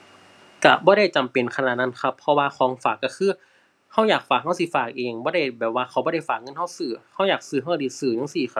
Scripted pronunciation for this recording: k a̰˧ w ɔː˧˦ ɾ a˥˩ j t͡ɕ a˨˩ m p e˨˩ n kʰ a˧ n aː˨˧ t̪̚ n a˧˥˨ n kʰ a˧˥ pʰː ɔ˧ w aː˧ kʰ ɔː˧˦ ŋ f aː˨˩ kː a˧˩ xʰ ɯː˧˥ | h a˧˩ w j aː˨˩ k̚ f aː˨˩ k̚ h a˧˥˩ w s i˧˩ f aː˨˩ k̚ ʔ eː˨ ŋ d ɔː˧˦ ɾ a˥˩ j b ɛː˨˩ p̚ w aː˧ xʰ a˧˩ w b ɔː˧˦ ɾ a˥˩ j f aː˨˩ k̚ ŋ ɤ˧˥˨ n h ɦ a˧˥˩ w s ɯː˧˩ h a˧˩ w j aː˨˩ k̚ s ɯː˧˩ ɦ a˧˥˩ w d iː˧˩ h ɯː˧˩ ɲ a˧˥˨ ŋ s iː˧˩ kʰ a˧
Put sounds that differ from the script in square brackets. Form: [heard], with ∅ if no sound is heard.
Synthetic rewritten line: k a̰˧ [b] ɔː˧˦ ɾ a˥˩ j t͡ɕ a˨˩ m p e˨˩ n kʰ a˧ n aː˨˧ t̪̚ n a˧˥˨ n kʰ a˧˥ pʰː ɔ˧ w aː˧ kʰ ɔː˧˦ ŋ f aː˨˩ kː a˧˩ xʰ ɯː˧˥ | h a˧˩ w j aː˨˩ k̚ f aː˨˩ k̚ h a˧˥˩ w s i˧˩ f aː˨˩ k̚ ʔ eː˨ ŋ [b] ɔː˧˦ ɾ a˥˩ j b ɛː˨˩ p̚ w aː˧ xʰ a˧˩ w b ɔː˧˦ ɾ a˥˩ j f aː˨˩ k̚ ŋ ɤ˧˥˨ n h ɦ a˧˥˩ w s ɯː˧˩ h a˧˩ w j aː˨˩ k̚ s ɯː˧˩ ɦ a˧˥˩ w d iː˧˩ [s] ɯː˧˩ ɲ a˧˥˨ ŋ s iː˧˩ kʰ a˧